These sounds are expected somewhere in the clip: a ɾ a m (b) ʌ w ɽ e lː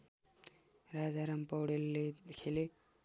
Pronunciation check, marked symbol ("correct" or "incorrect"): incorrect